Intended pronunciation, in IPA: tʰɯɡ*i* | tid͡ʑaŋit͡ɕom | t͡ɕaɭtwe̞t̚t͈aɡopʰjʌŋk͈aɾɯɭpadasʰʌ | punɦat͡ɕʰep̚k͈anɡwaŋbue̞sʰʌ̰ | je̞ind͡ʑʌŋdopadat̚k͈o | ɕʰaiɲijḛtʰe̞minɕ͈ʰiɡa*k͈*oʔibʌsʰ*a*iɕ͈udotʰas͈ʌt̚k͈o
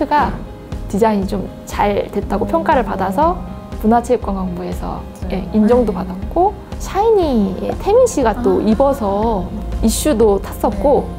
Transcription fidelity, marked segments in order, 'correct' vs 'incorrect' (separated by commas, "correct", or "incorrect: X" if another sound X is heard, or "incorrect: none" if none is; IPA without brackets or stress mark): incorrect: a, incorrect: t͈, incorrect: ʌ